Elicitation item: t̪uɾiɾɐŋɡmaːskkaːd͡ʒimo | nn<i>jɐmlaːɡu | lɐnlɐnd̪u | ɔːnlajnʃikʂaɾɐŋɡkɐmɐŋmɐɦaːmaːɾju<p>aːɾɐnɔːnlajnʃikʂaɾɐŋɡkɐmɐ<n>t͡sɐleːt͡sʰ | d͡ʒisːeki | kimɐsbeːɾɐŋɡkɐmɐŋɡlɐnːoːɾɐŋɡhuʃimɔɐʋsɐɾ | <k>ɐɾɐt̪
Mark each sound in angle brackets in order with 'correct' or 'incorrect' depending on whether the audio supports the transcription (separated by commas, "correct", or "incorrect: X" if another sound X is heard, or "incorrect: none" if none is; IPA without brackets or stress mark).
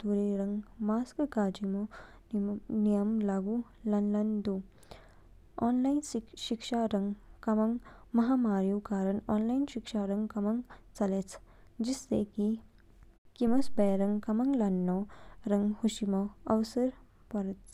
correct, incorrect: k, incorrect: ŋ, incorrect: p